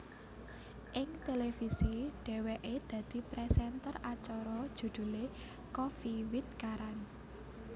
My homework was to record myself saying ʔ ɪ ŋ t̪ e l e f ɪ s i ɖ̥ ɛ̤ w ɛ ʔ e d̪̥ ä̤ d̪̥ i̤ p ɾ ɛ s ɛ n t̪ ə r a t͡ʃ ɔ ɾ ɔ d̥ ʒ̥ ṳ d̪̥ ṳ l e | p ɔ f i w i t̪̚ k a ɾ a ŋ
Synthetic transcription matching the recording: ʔ ɪ ŋ t̪ e l e f i s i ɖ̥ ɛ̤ w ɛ ʔ e d̪̥ ä̤ d̪̥ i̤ p ɾ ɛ s ɛ n t̪ ə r a t͡ʃ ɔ ɾ ɔ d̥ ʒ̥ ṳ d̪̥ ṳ l e | k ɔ f i w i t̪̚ k a ɾ a n